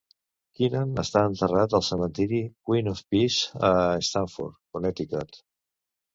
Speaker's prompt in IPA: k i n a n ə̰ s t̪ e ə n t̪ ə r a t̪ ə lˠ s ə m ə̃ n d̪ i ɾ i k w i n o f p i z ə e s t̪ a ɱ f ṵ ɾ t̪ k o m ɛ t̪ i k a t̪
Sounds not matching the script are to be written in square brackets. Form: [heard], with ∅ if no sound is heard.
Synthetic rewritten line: k i n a n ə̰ s t̪ [a] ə n t̪ ə r a t̪ ə lˠ s ə m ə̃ n [t̪] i ɾ i k w i n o f p i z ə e s t̪ a ɱ f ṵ ɾ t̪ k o [n] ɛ t̪ i k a t̪